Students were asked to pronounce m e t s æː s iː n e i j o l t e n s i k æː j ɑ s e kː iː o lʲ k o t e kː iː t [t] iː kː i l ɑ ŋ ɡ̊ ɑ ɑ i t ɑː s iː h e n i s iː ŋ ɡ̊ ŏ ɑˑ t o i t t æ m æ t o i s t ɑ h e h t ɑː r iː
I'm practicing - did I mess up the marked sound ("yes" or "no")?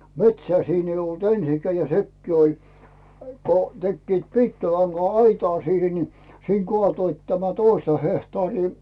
yes